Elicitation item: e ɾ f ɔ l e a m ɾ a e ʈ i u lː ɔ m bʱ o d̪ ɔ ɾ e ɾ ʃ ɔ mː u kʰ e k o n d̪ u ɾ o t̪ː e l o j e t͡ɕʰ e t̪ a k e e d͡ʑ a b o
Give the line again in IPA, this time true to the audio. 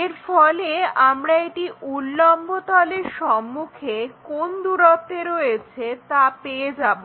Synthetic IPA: e ɾ f ɔ l e a m ɾ a e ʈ i u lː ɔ m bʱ o t̪ ɔ l e ɾ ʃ ɔ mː u kʰ e k o n d̪ u ɾ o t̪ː e ɾ o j e t͡ɕʰ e t̪ a p e e d͡ʑ a b o